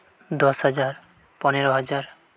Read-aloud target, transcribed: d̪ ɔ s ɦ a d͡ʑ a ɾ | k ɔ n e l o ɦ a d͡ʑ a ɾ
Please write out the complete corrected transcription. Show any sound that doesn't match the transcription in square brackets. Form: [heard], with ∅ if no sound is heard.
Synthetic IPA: d̪ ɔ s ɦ a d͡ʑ a ɾ | [p] ɔ n e [ɾ] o ɦ a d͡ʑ a ɾ